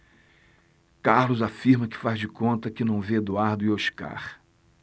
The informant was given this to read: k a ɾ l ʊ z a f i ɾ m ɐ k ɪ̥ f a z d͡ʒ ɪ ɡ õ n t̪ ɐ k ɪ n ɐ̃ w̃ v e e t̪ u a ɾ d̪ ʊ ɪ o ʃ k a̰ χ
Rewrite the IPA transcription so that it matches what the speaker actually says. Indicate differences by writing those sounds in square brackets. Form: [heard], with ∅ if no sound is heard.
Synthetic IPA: k a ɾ l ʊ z a f i ɾ m ɐ k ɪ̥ f a z d͡ʒ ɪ [k] õ n t̪ ɐ k ɪ n ɐ̃ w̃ v e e [d̪] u a ɾ d̪ ʊ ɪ o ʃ k a̰ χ

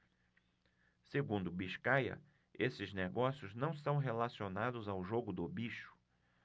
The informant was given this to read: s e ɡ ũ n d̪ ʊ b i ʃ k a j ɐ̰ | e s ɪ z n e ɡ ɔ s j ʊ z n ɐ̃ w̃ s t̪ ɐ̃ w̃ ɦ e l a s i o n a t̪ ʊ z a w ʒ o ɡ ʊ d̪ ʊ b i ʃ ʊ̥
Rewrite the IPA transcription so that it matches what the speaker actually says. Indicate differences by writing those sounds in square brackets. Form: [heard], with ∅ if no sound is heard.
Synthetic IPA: s e ɡ ũ n d̪ ʊ b i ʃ k a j ɐ̰ | e s ɪ z n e ɡ ɔ s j ʊ z n ɐ̃ w̃ s t̪ ɐ̃ w̃ ɦ e l a s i o n a [d̪] ʊ z a w ʒ o ɡ ʊ d̪ ʊ b i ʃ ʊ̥

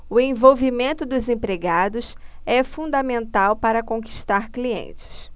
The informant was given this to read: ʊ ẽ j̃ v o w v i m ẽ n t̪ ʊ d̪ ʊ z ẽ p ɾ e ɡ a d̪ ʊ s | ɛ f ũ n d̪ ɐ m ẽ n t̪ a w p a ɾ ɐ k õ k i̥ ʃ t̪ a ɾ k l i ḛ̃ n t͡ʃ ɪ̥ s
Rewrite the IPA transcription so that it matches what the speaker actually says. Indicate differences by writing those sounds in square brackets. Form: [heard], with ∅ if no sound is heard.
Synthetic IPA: ʊ ẽ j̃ v o w v i m ẽ n t̪ ʊ d̪ ʊ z ẽ p ɾ e ɡ a d̪ ʊ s | ɛ f ũ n d̪ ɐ m ẽ n t̪ a w p a ɾ ɐ k õ k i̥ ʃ t̪ a ɾ k l i ḛ̃ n t͡ʃ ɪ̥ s

